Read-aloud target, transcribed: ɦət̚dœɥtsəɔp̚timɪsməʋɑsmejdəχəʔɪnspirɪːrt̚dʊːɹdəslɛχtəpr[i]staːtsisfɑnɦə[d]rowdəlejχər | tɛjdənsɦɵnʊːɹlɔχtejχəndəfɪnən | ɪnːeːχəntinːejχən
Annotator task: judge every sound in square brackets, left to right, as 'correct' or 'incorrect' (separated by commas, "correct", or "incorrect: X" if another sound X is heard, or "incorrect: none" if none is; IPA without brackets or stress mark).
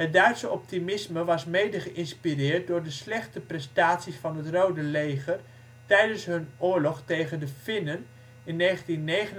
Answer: incorrect: ɛ, incorrect: t